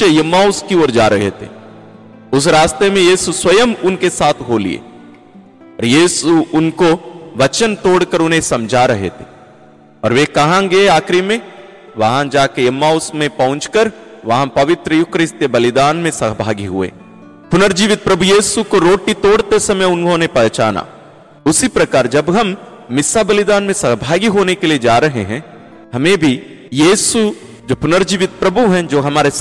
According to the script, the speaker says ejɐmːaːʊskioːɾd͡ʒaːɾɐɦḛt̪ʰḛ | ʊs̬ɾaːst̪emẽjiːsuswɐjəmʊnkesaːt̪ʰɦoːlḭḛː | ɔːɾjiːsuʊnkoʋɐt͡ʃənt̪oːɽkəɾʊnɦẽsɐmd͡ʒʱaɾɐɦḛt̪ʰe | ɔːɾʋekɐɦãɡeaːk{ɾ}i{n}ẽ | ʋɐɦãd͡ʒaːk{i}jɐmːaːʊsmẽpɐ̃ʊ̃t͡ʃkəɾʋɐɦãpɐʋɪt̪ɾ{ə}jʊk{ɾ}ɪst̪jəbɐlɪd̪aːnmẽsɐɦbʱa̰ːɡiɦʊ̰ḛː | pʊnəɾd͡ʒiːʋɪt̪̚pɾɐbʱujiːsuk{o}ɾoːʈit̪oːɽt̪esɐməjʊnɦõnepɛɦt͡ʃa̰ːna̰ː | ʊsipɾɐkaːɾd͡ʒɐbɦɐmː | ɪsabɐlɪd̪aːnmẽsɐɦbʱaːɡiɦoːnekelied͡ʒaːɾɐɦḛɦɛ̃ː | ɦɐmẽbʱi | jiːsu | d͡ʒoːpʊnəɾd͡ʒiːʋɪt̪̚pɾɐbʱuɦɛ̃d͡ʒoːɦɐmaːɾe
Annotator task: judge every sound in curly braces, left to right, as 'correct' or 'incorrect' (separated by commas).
correct, incorrect, incorrect, correct, correct, correct